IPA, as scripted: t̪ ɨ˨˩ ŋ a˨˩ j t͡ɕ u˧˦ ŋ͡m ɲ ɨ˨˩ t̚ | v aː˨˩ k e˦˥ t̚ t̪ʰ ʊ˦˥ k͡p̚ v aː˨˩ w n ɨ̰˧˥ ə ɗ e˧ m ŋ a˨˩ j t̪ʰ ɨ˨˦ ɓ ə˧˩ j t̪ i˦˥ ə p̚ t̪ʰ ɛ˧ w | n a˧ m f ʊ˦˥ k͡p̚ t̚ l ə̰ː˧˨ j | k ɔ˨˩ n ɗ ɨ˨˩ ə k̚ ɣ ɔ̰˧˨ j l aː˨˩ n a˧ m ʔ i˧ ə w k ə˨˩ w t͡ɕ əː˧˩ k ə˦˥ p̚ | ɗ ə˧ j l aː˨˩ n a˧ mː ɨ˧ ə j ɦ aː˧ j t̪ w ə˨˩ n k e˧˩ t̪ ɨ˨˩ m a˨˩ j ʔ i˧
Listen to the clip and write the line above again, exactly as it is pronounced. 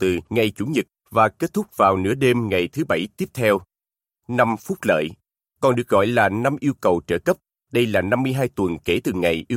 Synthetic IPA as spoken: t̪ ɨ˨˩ ŋ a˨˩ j t͡ɕ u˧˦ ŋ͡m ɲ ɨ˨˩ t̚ | v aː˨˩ k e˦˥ t̚ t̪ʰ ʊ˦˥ k͡p̚ v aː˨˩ w n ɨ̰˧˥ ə ɗ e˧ m ŋ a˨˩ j t̪ʰ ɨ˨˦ ɓ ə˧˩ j t̪ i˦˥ ə p̚ t̪ʰ ɛ˧ w | n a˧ m f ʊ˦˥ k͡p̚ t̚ l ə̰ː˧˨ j | k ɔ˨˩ n ɗ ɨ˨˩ ə k̚ ɣ ɔ̰˧˨ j l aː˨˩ n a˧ m ʔ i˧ ə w k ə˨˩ w t͡ɕ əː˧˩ k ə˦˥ p̚ | ɗ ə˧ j l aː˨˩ n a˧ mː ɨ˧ ə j ɦ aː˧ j t̪ w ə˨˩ n k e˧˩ t̪ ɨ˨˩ ŋ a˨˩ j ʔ i˧